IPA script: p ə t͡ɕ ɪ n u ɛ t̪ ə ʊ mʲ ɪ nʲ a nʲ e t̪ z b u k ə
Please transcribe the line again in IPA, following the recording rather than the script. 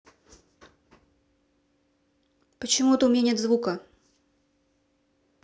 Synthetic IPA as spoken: p ə t͡ɕ ɪ m u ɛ t̪ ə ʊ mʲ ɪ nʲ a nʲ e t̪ z v u k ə